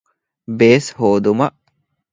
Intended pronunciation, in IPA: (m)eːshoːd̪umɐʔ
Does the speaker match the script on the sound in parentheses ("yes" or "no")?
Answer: no